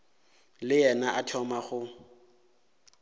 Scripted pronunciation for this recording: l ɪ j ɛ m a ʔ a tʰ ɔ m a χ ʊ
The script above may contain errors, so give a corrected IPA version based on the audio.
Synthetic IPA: l ɪ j ɛ n a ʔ a tʰ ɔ m a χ ʊ